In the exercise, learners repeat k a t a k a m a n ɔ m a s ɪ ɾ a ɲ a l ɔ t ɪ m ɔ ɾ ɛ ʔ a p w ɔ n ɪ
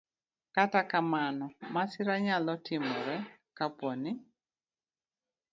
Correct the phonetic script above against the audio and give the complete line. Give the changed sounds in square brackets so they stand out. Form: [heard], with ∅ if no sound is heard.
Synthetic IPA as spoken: k a t a k a m a n ɔ m a s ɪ ɾ a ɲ a l ɔ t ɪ m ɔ ɾ ɛ [k] a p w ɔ n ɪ